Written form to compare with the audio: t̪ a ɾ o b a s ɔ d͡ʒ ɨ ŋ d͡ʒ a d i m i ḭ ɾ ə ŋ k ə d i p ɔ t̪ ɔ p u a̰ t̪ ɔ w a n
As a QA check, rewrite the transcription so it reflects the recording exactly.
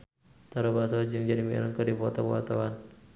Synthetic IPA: t̪ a ɾ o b a s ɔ d͡ʒ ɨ ŋ d͡ʒ a d i m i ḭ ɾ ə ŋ k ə d i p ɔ t̪ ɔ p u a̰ t̪ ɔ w a n